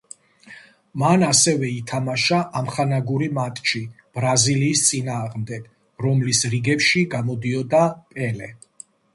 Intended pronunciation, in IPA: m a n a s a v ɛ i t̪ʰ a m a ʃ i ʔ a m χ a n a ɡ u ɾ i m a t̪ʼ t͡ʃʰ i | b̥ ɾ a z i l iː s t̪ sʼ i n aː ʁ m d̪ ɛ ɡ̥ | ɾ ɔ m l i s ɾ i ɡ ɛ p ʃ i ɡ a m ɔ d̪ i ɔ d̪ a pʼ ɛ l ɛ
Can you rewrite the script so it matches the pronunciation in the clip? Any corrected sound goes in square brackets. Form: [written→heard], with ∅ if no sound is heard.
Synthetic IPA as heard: m a n a s [a→ɛ] v ɛ i t̪ʰ a m a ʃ [i→a] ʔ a m χ a n a ɡ u ɾ i m a t̪ʼ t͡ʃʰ i | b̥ ɾ a z i l iː s t̪ sʼ i n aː ʁ m d̪ ɛ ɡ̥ | ɾ ɔ m l i s ɾ i ɡ ɛ p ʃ i ɡ a m ɔ d̪ i ɔ d̪ a pʼ ɛ l ɛ